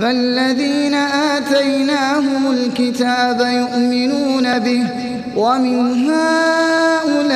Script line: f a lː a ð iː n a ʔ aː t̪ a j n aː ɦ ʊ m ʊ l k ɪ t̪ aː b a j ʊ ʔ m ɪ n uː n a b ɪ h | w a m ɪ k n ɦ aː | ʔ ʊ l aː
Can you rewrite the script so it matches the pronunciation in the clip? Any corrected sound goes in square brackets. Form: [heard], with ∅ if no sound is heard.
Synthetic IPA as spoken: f a lː a ð iː n a ʔ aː t̪ a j n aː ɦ ʊ m ʊ l k ɪ t̪ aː b a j ʊ ʔ m ɪ n uː n a b ɪ h | w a m ɪ [∅] n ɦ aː | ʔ ʊ l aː